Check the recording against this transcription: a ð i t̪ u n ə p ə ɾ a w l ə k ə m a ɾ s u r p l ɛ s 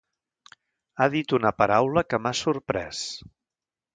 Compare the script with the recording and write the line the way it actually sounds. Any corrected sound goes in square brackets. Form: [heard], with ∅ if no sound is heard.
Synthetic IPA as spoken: a ð i t̪ u n ə p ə ɾ a w l ə k ə m a [∅] s u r p [ɾ] ɛ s

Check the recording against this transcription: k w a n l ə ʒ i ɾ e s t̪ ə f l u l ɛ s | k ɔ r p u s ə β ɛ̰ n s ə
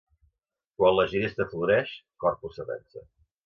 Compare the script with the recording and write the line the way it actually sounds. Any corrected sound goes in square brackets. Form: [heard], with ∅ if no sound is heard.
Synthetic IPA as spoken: k w a n l ə ʒ i ɾ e s t̪ ə f l u [ɾ] ɛ [ʃ] | k ɔ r p u s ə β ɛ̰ n s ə

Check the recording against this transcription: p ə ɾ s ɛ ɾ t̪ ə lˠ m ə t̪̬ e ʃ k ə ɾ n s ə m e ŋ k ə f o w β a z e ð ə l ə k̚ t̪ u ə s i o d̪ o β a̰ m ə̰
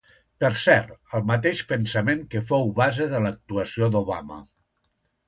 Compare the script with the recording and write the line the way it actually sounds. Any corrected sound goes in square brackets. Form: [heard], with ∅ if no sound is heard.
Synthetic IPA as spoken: p ə ɾ s ɛ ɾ t̪ ə lˠ m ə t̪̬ e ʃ [p] ə [∅] n s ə m e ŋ k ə f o w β a z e ð ə l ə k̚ t̪ u ə s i o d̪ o β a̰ m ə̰

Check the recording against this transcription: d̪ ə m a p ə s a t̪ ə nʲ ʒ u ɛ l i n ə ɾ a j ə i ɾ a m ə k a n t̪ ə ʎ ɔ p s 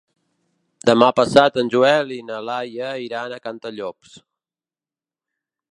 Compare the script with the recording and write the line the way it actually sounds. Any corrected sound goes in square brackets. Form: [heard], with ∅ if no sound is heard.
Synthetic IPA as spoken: d̪ ə m a p ə s a t̪ ə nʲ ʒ u ɛ l i n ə [l] a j ə i ɾ a [n] ə k a n t̪ ə ʎ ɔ p s

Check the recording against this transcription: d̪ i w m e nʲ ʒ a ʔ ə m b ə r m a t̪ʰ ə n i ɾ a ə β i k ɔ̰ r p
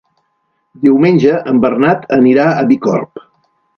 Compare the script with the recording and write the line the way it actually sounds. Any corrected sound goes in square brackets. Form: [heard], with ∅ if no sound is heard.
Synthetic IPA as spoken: d̪ i w m e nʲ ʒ [ə] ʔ ə m b ə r [n] a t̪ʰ ə n i ɾ a ə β i k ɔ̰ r p

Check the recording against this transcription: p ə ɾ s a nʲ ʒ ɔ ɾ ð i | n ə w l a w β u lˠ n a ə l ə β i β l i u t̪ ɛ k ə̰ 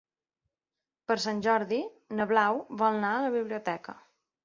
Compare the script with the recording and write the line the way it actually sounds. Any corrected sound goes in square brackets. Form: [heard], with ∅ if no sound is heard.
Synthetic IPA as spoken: p ə ɾ s a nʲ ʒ ɔ ɾ ð i | n ə [β] l a w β [ɔ] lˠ n a ə l ə β i β l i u t̪ ɛ k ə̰

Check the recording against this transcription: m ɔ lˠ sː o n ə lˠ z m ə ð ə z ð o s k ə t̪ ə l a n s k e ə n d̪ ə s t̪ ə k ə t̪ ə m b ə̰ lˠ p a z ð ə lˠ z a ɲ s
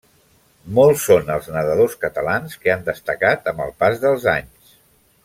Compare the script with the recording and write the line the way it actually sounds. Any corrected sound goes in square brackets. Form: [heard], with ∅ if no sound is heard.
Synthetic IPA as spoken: m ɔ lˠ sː o n ə lˠ z [n] ə ð ə [∅] ð o s k ə t̪ ə l a n s k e [a] n d̪ ə s t̪ ə k [a] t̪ ə m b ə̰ lˠ p a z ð ə lˠ z a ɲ s

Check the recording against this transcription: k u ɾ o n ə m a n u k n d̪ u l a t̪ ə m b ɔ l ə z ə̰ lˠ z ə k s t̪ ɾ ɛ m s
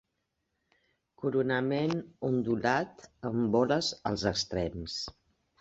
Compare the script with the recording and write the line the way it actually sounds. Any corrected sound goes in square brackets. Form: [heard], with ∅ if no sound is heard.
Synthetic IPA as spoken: k u ɾ [u] n ə m [e] n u [∅] n d̪ u l a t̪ ə m b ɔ l ə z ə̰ lˠ z ə k s t̪ ɾ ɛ m s

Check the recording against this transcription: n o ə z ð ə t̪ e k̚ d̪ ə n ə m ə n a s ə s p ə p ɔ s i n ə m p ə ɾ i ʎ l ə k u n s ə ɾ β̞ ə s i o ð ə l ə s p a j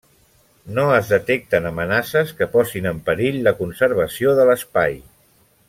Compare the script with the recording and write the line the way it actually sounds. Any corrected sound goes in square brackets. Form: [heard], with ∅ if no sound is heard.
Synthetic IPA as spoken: n o ə z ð ə t̪ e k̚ [t̪] ə n ə m ə n a s ə s [k] ə p ɔ s i n ə m p ə ɾ i ʎ l ə k u n s ə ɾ β̞ ə s i o ð ə l ə s p a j

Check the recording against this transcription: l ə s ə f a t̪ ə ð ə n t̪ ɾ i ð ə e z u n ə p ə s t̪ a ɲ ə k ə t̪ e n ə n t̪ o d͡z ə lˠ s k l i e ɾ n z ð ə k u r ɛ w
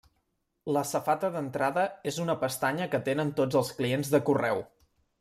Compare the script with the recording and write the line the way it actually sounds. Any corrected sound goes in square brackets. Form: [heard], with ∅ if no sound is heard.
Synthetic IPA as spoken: l ə s ə f a t̪ ə ð ə n t̪ ɾ [a] ð ə e z u n ə p ə s t̪ a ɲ ə k ə t̪ e n ə n t̪ o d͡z ə lˠ s k l i e [∅] n z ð ə k u r ɛ w

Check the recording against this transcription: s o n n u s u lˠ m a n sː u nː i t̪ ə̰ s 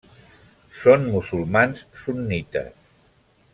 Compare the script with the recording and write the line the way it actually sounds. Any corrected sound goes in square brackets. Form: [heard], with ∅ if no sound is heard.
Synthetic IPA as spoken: s o n [m] u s u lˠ m a n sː u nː i t̪ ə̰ s

